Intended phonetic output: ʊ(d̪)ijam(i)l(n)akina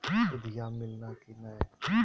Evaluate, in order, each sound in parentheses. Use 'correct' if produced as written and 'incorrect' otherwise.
correct, incorrect, correct

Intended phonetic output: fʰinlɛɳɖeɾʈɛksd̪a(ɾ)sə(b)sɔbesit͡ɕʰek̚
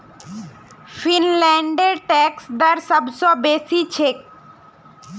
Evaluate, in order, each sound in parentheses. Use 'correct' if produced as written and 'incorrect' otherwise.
correct, correct

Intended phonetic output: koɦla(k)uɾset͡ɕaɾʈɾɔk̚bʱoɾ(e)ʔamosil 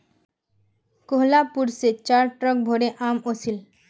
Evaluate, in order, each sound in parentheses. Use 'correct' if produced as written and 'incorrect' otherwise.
incorrect, correct

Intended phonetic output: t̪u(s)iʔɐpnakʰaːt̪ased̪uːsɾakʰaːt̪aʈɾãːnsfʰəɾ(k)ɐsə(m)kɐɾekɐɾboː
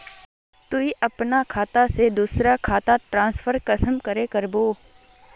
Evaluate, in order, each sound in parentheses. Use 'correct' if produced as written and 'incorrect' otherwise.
incorrect, correct, correct

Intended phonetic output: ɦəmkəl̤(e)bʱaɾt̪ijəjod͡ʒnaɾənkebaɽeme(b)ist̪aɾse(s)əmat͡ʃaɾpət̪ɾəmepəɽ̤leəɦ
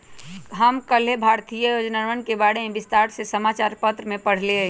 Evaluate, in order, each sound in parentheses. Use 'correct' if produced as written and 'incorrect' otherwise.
correct, correct, correct

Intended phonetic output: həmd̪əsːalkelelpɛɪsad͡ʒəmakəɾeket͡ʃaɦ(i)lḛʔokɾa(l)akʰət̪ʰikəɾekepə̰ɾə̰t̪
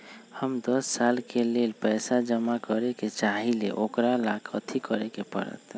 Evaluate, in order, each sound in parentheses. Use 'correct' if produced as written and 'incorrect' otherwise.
correct, correct

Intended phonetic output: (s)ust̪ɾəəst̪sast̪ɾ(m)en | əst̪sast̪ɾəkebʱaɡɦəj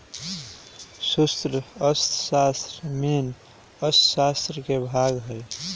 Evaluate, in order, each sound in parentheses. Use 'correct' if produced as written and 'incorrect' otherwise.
correct, correct

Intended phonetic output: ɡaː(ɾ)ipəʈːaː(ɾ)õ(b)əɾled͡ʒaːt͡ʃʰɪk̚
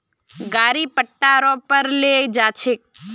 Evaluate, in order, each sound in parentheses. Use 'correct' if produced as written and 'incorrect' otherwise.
correct, correct, incorrect

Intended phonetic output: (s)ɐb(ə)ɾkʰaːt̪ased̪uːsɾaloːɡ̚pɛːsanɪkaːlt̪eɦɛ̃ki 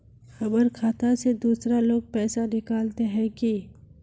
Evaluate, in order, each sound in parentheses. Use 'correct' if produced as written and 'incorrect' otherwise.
incorrect, correct

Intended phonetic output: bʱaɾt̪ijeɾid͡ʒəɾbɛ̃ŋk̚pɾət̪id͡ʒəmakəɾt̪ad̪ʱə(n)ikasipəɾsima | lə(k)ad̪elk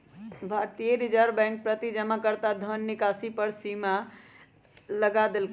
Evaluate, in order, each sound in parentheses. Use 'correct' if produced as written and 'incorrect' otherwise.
incorrect, incorrect

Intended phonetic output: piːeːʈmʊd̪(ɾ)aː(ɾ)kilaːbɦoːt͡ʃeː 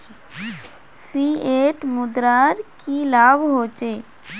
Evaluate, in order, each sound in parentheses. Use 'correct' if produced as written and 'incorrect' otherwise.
correct, correct

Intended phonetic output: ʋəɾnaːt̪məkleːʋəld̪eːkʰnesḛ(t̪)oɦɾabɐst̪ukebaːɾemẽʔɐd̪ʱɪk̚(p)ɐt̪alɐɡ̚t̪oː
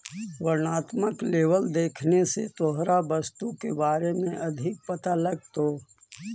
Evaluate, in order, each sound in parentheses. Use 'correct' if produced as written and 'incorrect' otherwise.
correct, correct

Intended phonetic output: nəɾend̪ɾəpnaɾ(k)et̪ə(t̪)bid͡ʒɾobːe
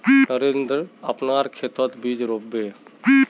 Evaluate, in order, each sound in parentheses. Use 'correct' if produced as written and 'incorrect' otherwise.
incorrect, correct

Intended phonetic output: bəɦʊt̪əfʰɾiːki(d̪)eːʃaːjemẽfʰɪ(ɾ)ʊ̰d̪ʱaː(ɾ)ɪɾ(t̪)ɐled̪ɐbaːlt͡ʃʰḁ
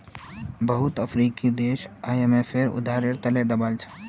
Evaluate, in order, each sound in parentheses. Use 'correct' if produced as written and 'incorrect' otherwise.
correct, correct, correct, correct

